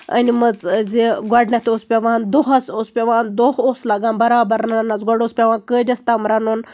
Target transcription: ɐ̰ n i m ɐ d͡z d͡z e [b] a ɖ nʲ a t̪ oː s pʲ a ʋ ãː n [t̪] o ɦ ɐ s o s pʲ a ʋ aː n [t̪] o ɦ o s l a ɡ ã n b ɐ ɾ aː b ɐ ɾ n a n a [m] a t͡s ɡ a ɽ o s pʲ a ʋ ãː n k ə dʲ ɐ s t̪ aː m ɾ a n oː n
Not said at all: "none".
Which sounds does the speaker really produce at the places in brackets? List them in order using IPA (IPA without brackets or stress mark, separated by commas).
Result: ɡ, d̪, d̪, n